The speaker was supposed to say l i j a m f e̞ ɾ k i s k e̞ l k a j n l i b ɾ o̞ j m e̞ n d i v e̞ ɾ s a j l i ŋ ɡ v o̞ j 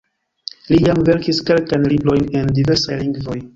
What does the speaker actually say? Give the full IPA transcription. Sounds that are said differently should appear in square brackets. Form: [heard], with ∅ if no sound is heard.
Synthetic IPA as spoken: l i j a m [v] e̞ ɾ k i s k e̞ l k a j n l i b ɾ o̞ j [n] e̞ n d i v e̞ ɾ s a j l i ŋ ɡ v o̞ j